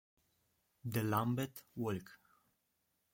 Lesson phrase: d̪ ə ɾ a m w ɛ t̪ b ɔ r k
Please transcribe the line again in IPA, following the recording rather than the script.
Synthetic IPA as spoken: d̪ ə l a m b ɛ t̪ w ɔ l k